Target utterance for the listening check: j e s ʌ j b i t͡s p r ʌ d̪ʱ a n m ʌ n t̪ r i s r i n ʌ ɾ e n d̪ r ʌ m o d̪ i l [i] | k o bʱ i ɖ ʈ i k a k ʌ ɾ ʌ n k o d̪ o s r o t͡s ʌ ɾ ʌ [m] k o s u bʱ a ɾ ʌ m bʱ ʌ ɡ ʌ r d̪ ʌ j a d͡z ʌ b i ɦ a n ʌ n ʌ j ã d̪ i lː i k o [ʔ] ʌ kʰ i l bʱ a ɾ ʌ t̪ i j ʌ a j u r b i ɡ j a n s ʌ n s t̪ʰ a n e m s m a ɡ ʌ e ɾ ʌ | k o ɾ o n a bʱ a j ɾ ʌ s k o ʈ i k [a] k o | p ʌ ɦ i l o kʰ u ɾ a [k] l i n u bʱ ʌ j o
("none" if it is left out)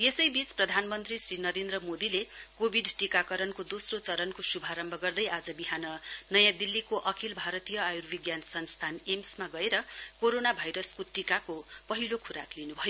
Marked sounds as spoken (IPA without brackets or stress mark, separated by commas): e, n, ʔ, a, k